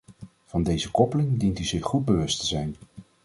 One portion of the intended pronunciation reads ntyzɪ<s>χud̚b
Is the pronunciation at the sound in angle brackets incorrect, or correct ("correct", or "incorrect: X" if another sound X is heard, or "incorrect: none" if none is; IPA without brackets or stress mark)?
incorrect: χ